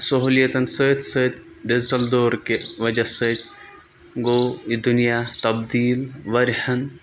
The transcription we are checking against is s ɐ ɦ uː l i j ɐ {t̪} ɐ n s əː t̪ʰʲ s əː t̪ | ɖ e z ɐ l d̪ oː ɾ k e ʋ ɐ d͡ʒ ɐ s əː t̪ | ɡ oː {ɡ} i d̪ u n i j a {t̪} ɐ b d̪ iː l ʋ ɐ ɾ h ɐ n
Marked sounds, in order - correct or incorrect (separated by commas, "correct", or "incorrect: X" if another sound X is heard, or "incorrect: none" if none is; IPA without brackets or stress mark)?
correct, incorrect: none, correct